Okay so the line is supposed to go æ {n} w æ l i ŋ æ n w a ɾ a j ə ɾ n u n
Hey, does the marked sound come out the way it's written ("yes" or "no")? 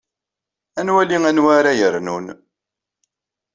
yes